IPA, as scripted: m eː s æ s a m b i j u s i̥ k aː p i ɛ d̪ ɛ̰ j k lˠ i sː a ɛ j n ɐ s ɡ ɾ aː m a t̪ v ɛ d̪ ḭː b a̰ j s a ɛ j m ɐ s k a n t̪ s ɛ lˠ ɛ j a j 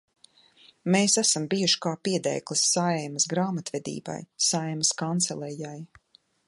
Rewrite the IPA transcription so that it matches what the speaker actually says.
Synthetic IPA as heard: m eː s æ s a m b i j u ʃ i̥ k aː p i ɛ d̪ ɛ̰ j k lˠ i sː a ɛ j m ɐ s ɡ ɾ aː m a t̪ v ɛ d̪ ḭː b a̰ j s a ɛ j m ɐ s k a n t̪ s ɛ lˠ ɛ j a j